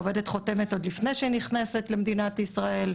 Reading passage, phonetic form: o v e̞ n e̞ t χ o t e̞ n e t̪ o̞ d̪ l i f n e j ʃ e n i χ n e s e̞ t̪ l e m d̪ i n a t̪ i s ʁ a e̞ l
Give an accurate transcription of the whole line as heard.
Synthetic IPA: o v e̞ d e̞ t χ o t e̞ m e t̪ o̞ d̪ l i f n e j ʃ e n i χ n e s e̞ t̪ l e m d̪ i n a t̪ i s ʁ a e̞ l